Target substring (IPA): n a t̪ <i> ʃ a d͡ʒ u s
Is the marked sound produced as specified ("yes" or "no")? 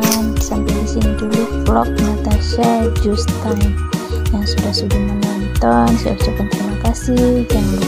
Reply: no